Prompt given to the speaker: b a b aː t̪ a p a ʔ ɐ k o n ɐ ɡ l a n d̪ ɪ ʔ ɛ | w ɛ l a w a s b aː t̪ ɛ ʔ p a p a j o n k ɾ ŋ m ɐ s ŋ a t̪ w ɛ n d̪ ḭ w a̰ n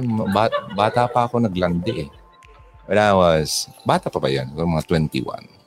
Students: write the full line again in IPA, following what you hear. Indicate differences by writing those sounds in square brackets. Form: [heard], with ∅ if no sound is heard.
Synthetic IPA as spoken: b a b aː t̪ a p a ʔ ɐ k o n ɐ ɡ l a n d̪ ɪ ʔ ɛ | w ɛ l a w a s b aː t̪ [a] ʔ p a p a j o n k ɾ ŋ m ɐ [∅] ŋ a t̪ w ɛ n [t̪] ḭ w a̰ n